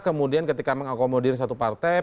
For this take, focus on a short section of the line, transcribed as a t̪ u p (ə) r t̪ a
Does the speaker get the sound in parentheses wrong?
yes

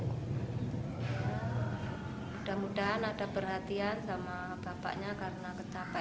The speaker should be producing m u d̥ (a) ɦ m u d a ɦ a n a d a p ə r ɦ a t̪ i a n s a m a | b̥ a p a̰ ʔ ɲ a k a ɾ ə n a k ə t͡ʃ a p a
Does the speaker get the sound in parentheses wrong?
no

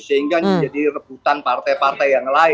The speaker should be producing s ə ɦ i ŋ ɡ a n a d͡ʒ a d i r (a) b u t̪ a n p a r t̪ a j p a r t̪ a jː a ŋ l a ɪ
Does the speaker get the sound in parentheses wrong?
yes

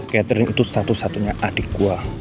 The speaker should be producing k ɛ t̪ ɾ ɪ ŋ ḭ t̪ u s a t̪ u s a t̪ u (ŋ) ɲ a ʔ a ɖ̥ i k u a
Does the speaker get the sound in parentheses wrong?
yes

